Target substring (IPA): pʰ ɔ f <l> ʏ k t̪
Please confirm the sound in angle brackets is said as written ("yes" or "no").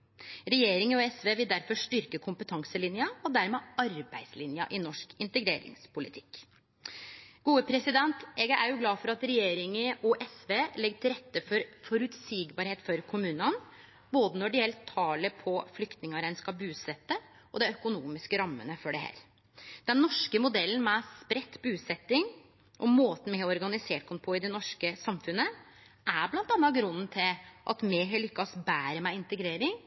yes